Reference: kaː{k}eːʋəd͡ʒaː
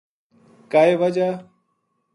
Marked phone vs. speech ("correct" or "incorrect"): incorrect